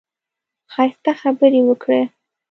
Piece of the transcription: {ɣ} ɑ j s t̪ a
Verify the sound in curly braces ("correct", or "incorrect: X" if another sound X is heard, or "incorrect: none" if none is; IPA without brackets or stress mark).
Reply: incorrect: x